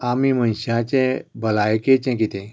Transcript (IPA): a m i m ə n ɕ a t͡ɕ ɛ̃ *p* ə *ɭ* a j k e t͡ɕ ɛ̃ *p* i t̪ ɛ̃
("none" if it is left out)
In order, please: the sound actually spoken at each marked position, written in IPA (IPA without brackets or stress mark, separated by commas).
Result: b, l, k